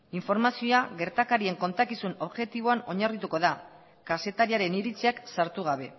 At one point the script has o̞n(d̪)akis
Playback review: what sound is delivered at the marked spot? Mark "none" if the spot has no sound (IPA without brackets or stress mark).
t̪